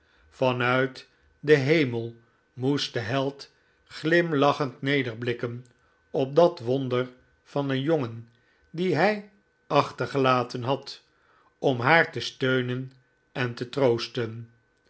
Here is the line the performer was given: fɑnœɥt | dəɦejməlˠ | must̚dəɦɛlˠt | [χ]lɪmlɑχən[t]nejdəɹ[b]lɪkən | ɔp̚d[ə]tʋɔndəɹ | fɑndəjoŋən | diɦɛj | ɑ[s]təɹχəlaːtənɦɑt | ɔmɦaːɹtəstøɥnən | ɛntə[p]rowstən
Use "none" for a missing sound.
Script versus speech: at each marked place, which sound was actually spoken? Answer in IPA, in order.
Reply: χ, t, b, ɑ, χ, t

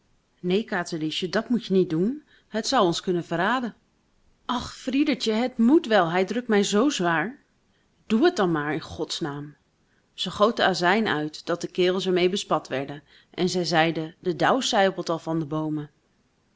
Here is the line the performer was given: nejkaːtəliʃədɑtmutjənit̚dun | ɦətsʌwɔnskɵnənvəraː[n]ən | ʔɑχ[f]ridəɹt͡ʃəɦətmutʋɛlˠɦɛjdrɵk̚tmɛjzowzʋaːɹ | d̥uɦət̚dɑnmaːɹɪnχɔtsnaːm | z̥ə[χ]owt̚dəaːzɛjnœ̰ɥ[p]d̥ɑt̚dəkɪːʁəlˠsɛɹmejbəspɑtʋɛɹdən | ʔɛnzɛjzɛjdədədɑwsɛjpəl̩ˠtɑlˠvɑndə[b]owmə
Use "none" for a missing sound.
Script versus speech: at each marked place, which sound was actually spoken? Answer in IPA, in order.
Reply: d, f, χ, t, b

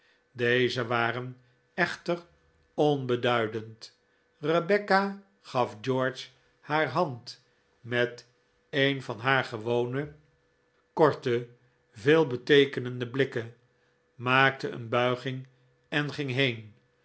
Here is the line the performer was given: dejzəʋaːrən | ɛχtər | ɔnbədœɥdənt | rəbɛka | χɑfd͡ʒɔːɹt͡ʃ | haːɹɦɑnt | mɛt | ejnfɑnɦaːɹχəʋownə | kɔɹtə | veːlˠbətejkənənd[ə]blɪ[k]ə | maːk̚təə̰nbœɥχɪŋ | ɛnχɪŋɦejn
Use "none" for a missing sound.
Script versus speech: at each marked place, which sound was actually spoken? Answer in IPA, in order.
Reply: ə, k

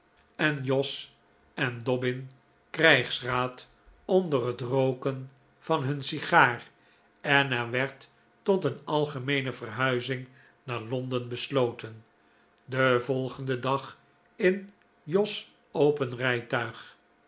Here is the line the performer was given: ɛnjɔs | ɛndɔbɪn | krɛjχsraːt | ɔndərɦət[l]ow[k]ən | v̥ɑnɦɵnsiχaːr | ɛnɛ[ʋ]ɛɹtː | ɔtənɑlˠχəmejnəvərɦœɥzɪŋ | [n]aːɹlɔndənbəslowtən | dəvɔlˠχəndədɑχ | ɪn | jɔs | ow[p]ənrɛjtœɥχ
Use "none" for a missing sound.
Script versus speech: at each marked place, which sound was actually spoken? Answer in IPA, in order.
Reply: r, k, ʋ, n, p

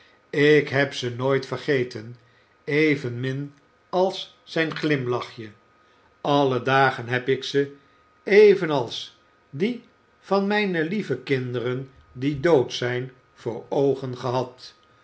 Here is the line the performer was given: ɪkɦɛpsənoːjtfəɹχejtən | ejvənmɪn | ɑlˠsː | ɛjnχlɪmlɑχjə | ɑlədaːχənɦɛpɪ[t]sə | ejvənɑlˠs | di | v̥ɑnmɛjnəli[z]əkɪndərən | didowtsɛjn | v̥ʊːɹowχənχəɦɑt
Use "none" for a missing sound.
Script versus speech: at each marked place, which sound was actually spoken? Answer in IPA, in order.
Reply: k, v

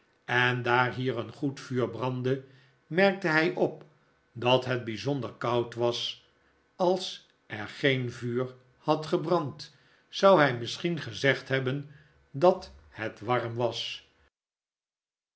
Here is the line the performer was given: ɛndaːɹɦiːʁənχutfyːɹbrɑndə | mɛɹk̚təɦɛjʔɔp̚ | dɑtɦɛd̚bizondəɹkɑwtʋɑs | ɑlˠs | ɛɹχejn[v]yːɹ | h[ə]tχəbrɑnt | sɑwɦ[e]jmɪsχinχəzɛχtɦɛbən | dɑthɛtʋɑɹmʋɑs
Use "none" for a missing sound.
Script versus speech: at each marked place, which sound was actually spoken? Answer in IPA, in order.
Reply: v, ɑ, ɛ

